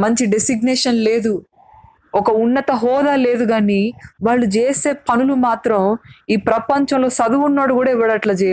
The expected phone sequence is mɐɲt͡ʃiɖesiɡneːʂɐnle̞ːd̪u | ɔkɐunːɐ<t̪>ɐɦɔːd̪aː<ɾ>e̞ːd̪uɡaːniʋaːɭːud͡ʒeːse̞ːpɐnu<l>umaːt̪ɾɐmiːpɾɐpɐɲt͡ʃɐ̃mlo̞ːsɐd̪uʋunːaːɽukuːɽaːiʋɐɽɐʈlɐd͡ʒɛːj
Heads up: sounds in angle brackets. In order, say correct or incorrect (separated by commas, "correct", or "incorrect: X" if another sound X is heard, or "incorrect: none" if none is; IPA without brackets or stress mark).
correct, incorrect: l, correct